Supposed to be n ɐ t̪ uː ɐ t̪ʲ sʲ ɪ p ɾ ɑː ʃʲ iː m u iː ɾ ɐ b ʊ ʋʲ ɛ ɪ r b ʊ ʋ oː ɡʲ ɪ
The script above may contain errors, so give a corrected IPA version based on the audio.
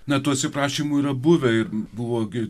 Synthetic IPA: n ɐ t̪ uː ɐ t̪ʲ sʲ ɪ p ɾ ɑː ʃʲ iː m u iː ɾ ɐ b ʊ ʋʲ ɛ ɪ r b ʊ ʋ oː ɡʲ ɪ

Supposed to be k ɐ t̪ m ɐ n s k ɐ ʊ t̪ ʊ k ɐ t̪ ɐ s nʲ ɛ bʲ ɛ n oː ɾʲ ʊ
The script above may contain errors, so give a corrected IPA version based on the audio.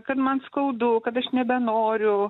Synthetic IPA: k ɐ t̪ m ɐ n s k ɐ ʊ d̪ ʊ k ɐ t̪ ɐ ʃ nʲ ɛ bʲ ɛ n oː ɾʲ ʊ

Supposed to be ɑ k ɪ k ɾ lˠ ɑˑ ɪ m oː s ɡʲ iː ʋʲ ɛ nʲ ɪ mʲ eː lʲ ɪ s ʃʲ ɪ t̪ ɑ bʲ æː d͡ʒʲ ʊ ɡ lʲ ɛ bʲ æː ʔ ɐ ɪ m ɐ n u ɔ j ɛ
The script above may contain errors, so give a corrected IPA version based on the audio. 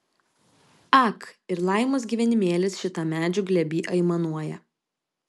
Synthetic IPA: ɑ k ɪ ɾ lˠ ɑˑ ɪ m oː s ɡʲ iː ʋʲ ɛ nʲ ɪ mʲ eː lʲ ɪ s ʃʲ ɪ t̪ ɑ mʲ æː d͡ʒʲ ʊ ɡ lʲ ɛ bʲ iː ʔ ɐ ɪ m ɐ n u ɔ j ɛ

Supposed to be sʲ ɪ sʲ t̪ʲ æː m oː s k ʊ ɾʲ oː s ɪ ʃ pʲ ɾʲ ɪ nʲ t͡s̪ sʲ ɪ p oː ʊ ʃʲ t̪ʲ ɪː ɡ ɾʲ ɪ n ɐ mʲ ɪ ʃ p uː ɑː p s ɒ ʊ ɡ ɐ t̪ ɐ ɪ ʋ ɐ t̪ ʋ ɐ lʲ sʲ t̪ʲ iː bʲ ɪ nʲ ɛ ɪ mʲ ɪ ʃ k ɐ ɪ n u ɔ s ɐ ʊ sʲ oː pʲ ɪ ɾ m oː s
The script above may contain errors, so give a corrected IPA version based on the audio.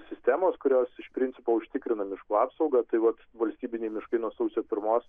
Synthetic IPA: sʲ ɪ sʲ t̪ʲ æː m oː s k ʊ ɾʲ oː s ɪ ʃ pʲ ɾʲ ɪ nʲ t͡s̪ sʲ ɪ p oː ʊ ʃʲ t̪ʲ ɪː k ɾʲ ɪ n ɐ mʲ ɪ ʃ k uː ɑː p s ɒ ʊ ɡ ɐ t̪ ɐ ɪ ʋ ɐ t̪ ʋ ɐ lʲ sʲ t̪ʲ iː bʲ ɪ nʲ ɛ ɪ mʲ ɪ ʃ k ɐ ɪ n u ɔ s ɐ ʊ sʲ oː pʲ ɪ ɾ m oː s

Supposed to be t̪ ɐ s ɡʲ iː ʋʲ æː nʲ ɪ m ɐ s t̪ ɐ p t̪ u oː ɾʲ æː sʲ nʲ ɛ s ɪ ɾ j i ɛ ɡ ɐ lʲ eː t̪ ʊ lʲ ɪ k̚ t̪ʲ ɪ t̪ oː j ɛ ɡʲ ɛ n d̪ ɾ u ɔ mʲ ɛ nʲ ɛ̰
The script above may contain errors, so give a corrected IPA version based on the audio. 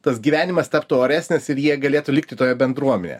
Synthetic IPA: t̪ ɐ s ɡʲ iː ʋʲ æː nʲ ɪ m ɐ s t̪ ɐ p t̪ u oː ɾʲ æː sʲ nʲ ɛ s ɪ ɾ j i ɛ ɡ ɐ lʲ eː t̪ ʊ lʲ ɪ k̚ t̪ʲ ɪ t̪ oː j ɛ bʲ ɛ n d̪ ɾ u ɔ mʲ ɛ nʲ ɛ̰

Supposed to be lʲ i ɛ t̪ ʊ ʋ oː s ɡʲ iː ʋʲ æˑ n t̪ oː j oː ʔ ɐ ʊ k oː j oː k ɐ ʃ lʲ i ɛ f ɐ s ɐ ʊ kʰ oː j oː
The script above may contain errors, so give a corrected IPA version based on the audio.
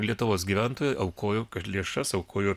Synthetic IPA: lʲ i ɛ t̪ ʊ ʋ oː s ɡʲ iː ʋʲ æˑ n t̪ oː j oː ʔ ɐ ʊ k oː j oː k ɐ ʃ lʲ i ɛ ʃ ɐ s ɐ ʊ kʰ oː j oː

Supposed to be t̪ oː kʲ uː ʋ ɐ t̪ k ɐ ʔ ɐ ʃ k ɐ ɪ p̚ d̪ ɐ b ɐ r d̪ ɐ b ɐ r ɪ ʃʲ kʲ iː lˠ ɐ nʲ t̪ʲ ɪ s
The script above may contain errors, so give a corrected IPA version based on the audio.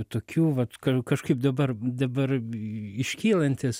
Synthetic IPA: t̪ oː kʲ uː ʋ ɐ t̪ k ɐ k ɐ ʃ k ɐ ɪ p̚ d̪ ɐ b ɐ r d̪ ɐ b ɐ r ɪ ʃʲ kʲ iː lˠ ɐ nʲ t̪ʲ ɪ s

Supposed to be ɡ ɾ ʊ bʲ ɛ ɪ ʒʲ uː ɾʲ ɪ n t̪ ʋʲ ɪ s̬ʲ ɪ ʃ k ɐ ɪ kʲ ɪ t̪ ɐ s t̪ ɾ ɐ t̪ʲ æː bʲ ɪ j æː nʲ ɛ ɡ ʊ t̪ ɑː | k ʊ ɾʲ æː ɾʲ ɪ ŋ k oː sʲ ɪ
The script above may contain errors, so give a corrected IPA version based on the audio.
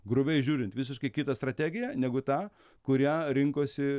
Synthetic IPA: ɡ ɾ ʊ bʲ ɛ ɪ ʒʲ uː ɾʲ ɪ n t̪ ʋʲ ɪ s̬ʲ ɪ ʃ k ɐ ɪ kʲ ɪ t̪ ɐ s t̪ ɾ ɐ t̪ʲ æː ɡʲ ɪ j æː nʲ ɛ ɡ ʊ t̪ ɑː | k ʊ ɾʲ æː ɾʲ ɪ ŋ k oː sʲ ɪ

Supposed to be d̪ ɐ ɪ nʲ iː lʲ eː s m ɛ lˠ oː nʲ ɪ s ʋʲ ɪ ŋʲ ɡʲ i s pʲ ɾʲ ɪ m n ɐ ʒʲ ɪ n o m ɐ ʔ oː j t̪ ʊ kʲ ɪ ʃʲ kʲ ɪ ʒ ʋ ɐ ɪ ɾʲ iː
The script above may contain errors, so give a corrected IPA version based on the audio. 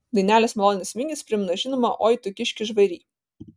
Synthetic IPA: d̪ ɐ ɪ nʲ æː lʲ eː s m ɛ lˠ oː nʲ ɪ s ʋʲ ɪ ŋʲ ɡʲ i s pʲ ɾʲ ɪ m n ɐ ʒʲ ɪ n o m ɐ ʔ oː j t̪ ʊ kʲ ɪ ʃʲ kʲ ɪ ʒ ʋ ɐ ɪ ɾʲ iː

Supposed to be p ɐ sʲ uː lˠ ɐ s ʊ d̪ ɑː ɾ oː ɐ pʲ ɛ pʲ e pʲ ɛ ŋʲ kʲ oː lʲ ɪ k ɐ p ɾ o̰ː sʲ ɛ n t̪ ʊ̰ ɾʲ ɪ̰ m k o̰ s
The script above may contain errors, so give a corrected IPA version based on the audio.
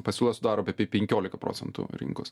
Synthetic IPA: p ɐ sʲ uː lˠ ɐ s ʊ d̪ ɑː ɾ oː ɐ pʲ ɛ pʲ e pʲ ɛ ŋʲ kʲ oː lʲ ɪ k ɐ p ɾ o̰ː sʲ ɛ n t̪ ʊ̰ ɾʲ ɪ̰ ŋ k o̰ s

